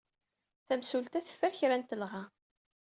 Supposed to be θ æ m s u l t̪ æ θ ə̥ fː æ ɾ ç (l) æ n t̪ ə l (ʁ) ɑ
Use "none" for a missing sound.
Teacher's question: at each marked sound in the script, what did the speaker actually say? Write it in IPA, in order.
ɾ, ʁ

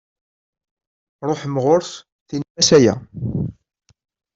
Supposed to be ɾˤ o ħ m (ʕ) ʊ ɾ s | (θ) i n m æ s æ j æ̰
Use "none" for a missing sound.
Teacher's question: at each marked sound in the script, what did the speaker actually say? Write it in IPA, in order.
ʁ, θ

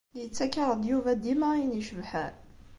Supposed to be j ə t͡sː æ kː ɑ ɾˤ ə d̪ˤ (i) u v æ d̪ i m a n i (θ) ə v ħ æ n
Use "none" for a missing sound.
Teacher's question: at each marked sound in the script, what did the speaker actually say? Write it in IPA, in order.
j, ʃ

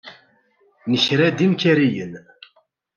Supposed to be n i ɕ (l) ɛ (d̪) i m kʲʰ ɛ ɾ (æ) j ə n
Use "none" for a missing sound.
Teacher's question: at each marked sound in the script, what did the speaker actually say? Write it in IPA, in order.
ɾ, d̪, i

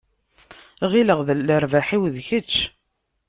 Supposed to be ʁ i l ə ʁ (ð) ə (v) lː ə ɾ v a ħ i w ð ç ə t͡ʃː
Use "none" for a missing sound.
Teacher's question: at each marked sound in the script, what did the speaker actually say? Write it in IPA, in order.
ð, none

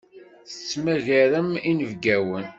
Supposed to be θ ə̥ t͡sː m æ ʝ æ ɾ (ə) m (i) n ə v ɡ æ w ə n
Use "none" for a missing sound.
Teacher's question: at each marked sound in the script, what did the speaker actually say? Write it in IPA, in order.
ə, i

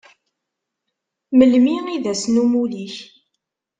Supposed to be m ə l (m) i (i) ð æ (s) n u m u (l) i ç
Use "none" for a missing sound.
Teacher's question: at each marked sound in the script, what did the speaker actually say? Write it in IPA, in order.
m, i, s, l

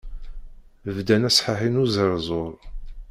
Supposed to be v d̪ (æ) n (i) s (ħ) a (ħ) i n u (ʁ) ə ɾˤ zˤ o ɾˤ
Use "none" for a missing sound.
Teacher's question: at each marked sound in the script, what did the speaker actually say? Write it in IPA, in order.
æ, æ, ħ, ħ, z

